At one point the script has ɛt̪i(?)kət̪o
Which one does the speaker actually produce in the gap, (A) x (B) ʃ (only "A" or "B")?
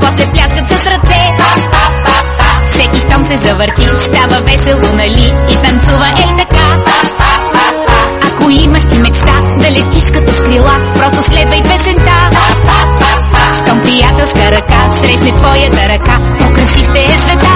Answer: B